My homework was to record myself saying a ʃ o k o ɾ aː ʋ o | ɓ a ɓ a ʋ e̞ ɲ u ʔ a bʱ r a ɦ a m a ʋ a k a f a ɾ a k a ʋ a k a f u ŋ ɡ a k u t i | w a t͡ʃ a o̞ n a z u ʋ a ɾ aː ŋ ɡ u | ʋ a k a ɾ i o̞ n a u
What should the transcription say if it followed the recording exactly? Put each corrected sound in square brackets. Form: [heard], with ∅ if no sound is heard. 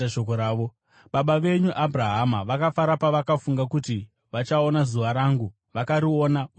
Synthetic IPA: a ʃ o k o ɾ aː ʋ o | ɓ a ɓ a ʋ e̞ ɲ u ʔ a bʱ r a ɦ a m a ʋ a k a f a ɾ a [p] a ʋ a k a f u ŋ ɡ a k u t i | [ʋ] a t͡ʃ a o̞ n a z u ʋ a ɾ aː ŋ ɡ u | ʋ a k a ɾ i o̞ n a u